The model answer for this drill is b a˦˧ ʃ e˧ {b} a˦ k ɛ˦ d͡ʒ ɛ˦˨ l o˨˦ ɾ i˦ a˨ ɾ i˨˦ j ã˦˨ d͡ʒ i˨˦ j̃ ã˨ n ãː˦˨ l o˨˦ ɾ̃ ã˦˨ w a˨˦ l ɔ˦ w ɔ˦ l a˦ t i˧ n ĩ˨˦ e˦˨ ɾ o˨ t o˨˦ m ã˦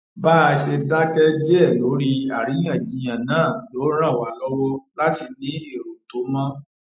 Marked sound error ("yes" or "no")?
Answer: yes